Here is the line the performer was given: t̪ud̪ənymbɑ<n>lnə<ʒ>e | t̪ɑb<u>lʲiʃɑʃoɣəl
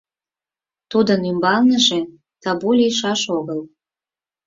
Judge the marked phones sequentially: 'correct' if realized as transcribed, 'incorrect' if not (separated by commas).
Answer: incorrect, correct, correct